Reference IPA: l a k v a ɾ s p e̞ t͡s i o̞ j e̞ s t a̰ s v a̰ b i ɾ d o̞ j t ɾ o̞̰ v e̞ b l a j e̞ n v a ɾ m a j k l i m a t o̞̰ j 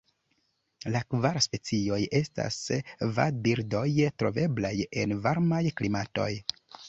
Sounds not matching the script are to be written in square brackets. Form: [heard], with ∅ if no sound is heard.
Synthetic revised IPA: l a k v a ɾ s p e̞ t͡s i o̞ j e̞ s t a̰ s v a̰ b i ɾ d o̞ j t ɾ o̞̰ v e̞ b l a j e̞ n v a ɾ m a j k l i m a t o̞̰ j